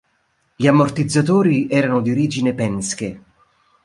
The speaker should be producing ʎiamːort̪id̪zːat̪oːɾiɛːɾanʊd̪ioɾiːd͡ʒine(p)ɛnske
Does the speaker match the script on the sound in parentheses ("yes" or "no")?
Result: yes